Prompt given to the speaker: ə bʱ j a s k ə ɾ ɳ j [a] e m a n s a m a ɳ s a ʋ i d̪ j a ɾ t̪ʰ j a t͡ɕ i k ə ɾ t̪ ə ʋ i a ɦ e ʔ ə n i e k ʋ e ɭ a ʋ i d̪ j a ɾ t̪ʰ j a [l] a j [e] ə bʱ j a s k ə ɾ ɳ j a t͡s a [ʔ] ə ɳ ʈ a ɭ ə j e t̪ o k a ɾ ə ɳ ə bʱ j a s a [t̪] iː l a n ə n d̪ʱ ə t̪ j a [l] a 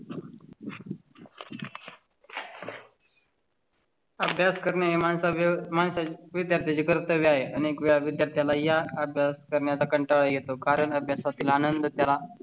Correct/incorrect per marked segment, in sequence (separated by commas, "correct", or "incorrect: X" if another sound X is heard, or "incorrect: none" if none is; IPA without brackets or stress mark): correct, correct, incorrect: a, incorrect: k, correct, correct